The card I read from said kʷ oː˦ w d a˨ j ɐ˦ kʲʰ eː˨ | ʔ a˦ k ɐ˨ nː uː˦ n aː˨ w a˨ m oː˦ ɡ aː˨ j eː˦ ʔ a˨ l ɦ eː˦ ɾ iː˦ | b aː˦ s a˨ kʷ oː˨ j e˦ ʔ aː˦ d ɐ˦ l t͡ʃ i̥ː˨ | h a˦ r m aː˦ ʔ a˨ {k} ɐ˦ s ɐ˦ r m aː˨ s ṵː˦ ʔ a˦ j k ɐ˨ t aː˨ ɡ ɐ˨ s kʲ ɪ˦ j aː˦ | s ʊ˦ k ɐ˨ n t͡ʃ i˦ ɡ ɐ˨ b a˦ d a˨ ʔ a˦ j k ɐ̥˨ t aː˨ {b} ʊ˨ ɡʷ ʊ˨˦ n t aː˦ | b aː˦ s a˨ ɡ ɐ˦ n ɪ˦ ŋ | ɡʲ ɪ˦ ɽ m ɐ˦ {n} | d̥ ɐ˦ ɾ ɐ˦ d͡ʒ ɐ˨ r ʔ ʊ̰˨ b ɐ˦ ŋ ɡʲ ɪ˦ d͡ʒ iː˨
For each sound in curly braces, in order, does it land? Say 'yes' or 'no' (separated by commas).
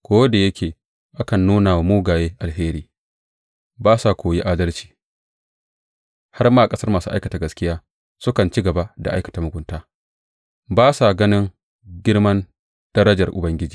no, no, yes